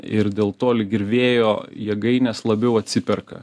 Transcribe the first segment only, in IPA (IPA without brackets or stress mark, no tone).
ɪ